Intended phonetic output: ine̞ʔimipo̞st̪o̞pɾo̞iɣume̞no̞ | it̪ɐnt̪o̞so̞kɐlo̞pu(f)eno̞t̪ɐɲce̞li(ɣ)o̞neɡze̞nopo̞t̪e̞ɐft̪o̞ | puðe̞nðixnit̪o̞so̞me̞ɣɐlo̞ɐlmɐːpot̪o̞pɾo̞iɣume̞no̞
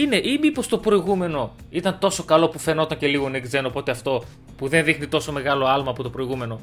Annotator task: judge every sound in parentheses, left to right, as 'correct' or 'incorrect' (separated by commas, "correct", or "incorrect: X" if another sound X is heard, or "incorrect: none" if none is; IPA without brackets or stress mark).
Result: correct, correct